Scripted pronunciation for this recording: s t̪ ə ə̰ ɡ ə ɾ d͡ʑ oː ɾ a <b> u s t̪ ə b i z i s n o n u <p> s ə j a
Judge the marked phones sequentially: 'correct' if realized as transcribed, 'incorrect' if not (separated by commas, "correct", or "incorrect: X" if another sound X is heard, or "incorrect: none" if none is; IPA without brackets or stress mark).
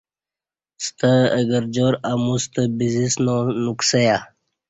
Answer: incorrect: m, incorrect: k